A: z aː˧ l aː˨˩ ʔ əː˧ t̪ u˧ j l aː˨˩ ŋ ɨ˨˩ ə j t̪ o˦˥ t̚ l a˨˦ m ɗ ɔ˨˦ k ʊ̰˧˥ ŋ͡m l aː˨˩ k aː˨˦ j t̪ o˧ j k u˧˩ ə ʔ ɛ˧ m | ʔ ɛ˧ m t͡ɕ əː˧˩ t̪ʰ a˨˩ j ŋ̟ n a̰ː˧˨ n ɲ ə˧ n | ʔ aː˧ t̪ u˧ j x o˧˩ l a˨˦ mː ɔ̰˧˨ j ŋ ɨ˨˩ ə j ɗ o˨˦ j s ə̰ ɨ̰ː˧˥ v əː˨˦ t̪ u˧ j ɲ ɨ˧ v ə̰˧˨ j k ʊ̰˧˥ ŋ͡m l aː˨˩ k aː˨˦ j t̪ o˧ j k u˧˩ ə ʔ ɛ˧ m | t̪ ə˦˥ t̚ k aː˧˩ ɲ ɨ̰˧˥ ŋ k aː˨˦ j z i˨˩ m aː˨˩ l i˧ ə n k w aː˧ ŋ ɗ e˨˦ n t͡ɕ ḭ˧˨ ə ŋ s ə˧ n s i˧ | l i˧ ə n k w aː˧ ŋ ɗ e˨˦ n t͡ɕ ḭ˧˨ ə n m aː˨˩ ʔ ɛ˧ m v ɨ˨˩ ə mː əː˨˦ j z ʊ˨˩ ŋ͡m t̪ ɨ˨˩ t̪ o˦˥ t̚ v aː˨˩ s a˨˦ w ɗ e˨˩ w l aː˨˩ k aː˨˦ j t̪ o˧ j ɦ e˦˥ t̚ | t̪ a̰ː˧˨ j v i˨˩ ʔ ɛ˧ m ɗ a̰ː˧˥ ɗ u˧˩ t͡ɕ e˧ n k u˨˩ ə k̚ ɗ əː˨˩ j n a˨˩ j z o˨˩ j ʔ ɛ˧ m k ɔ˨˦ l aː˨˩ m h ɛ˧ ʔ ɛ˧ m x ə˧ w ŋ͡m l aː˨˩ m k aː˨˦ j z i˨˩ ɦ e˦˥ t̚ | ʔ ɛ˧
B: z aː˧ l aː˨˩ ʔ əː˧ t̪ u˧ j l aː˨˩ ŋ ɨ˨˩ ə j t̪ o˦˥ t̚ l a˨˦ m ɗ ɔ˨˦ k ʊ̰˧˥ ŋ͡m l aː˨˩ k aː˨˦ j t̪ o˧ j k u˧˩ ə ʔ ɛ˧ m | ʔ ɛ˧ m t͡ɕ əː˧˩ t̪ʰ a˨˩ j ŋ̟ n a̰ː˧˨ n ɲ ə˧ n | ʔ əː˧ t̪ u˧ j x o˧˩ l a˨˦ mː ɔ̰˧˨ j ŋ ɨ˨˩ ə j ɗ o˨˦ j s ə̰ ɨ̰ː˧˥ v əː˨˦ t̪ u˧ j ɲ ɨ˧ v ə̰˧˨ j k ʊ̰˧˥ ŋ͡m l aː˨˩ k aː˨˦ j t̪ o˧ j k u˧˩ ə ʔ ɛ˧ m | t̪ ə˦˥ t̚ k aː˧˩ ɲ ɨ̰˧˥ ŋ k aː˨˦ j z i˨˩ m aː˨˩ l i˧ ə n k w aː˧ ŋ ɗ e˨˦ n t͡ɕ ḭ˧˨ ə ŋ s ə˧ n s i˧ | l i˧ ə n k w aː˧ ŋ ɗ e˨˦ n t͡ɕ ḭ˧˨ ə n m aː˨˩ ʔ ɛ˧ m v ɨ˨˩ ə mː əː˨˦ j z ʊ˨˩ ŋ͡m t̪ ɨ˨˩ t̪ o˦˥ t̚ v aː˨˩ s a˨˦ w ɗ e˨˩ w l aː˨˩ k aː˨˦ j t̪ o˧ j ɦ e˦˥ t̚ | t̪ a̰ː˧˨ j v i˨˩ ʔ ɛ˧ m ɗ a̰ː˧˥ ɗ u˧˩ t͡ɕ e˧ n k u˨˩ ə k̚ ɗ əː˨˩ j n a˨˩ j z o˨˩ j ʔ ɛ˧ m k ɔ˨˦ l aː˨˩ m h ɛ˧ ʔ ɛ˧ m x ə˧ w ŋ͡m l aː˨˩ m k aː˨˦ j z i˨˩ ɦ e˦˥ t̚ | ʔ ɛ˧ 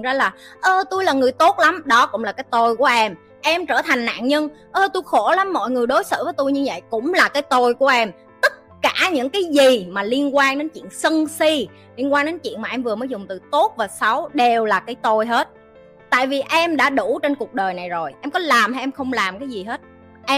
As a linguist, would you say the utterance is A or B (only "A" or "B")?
B